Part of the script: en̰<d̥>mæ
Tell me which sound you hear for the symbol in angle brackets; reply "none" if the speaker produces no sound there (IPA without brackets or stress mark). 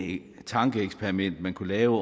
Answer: d̥